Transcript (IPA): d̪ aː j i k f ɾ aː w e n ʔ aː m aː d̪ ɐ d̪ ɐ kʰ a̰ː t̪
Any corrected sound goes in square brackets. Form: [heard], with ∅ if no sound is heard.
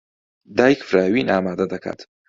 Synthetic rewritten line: d̪ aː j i k f ɾ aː w [i] n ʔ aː m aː d̪ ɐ d̪ ɐ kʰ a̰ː t̪